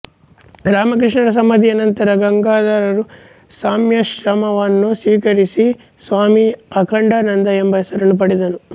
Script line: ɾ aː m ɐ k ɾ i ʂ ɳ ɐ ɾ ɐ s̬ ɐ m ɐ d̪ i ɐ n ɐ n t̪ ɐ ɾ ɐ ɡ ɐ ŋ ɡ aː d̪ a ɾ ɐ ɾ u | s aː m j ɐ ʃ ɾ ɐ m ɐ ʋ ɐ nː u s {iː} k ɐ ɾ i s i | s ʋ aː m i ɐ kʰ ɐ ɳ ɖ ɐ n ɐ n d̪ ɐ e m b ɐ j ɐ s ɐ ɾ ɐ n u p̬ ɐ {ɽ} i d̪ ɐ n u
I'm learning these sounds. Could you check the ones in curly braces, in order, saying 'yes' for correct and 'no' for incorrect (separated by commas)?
yes, yes